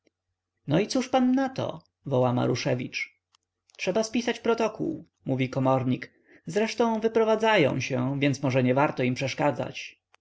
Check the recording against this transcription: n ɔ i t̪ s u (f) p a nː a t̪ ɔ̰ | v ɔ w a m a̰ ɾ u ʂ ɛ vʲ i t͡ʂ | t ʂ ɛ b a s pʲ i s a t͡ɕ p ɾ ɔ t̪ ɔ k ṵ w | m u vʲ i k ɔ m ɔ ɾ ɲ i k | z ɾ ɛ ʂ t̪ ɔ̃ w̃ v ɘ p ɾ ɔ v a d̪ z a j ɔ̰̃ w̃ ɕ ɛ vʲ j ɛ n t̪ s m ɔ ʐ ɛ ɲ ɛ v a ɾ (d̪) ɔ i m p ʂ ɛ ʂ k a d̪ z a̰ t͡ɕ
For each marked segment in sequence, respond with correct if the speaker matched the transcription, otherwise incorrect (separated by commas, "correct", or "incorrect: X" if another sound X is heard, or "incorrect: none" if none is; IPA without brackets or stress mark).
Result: incorrect: ʂ, incorrect: t̪